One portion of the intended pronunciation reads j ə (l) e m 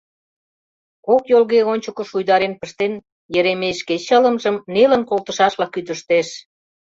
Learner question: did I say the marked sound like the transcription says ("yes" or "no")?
no